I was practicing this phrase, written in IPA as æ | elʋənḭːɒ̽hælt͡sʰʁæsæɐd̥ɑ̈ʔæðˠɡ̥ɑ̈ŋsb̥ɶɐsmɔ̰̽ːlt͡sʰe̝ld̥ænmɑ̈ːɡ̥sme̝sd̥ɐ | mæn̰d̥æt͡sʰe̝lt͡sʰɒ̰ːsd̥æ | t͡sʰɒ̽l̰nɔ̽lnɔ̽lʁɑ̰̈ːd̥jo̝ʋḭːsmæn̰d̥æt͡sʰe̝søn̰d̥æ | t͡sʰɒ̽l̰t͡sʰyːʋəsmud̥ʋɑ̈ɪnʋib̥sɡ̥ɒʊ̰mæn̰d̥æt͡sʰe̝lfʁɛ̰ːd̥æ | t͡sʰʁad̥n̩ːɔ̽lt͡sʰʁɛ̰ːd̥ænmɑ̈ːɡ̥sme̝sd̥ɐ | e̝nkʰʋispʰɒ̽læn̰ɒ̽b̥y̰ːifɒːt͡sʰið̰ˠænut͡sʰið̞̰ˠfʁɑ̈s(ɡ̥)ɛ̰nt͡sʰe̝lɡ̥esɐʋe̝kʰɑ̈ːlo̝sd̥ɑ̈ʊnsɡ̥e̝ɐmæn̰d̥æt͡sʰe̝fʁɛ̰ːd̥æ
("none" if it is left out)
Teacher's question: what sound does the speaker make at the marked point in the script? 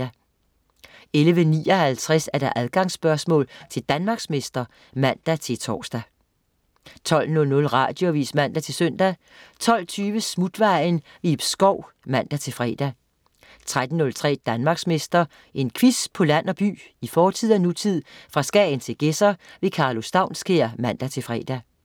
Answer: ɡ̥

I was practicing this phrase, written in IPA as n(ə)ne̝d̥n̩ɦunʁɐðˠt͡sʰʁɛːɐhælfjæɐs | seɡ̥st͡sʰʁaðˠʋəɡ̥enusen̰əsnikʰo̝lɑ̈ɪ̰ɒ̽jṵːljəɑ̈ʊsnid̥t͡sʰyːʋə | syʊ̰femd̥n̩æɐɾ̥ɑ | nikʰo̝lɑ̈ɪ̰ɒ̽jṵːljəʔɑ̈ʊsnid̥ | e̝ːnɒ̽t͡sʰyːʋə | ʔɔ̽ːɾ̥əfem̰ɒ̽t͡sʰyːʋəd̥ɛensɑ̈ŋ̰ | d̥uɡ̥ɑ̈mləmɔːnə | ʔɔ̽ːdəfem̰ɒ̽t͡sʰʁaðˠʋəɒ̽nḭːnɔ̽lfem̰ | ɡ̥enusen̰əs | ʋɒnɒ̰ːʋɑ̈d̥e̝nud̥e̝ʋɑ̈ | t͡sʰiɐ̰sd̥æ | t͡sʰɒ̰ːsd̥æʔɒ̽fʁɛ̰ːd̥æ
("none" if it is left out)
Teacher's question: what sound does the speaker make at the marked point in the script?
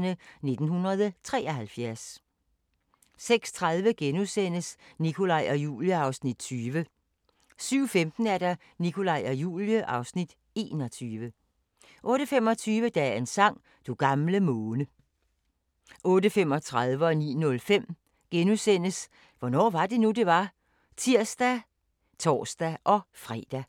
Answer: ə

